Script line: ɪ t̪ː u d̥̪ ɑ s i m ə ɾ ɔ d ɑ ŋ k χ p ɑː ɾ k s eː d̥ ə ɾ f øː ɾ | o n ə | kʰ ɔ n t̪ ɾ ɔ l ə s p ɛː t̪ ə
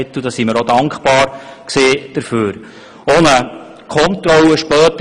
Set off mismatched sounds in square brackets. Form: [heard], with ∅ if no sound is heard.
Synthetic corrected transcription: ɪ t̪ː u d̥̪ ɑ s i m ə ɾ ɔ d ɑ ŋ k χ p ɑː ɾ k s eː d̥ ə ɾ f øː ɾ | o n ə | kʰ ɔ n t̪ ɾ ɔ l ə [ʃ] p [œː] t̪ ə